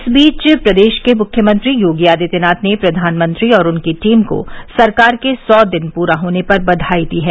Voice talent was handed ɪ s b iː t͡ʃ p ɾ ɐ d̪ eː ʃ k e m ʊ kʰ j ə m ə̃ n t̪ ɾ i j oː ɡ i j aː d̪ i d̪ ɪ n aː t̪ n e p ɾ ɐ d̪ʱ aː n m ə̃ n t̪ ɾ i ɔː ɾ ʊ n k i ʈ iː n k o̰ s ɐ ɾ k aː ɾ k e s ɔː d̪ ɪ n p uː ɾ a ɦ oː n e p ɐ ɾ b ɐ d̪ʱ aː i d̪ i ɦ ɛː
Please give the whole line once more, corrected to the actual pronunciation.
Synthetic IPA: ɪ s b iː t͡ʃ p ɾ ɐ d̪ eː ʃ k e m ʊ kʰ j ə m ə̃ n t̪ ɾ i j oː ɡ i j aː d̪ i t̪ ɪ n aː t̪ n e p ɾ ɐ d̪ʱ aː n m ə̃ n t̪ ɾ i ɔː ɾ ʊ n k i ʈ iː m k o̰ s ɐ ɾ k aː ɾ k e s ɔː d̪ ɪ n p uː ɾ a ɦ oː n e p ɐ ɾ b ɐ d̪ʱ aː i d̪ i ɦ ɛː